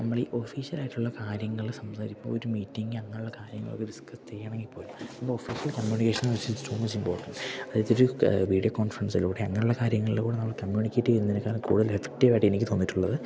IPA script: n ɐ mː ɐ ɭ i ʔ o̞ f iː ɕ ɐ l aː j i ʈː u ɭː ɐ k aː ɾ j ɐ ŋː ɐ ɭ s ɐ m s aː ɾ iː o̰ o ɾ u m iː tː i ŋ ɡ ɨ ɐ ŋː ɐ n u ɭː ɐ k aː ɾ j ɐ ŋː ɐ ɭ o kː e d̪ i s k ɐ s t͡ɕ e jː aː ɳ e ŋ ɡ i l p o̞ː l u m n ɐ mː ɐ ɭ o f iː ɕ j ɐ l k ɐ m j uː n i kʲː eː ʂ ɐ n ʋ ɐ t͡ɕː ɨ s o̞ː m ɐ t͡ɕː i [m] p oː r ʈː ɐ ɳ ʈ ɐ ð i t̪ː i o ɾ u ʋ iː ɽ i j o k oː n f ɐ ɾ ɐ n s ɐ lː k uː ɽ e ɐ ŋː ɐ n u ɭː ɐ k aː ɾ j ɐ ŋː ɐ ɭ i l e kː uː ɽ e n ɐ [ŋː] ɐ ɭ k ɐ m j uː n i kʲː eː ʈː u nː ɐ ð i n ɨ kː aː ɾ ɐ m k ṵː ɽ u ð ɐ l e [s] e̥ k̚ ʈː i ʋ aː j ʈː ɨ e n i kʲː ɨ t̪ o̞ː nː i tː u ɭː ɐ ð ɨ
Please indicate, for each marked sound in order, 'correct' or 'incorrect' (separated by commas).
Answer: correct, incorrect, incorrect